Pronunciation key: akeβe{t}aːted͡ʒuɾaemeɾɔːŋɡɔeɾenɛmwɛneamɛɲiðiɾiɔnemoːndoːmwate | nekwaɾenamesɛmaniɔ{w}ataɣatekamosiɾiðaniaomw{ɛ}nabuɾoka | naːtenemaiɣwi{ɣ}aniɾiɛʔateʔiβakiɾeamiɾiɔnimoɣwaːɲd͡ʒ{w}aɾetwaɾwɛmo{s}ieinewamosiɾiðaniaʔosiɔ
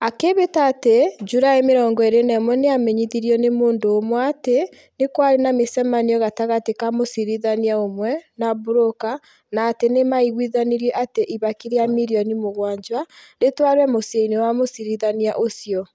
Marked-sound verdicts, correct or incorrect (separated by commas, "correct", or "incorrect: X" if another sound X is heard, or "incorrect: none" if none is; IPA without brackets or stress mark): correct, incorrect: ɣ, correct, incorrect: ð, correct, correct